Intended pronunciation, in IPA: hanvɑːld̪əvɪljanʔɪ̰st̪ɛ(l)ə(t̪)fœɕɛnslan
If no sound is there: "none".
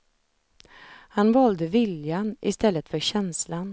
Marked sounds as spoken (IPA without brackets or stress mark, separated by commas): lː, t̪